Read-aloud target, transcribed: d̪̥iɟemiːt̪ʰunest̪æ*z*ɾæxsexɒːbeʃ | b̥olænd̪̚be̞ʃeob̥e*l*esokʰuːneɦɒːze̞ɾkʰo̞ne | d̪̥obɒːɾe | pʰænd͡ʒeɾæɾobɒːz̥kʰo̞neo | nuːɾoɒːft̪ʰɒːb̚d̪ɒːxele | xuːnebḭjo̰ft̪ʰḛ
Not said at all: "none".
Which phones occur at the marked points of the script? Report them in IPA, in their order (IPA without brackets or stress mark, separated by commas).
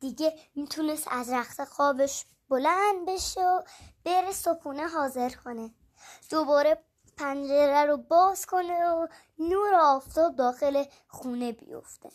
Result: z, ɾ